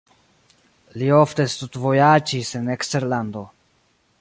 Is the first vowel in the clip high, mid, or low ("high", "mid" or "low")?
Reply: high